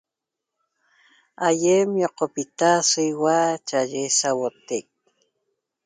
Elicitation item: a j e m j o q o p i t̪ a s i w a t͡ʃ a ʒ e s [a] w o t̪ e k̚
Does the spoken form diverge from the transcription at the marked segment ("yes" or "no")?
no